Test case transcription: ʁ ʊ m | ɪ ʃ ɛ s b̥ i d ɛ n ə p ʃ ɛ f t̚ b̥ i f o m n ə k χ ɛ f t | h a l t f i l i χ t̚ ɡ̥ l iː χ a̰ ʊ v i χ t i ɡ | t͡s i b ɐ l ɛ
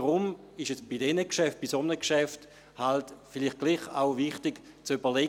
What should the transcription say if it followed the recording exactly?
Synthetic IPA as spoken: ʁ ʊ m | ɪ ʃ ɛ s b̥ i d ɛ n ə k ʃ ɛ f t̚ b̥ i s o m n ə k ʃ ɛ f t | h a l t f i l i χ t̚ ɡ̥ l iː χ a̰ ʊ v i χ t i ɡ | t͡s y b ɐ l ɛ